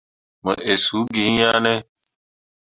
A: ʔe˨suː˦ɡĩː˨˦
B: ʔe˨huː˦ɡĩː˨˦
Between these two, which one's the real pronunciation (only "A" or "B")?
A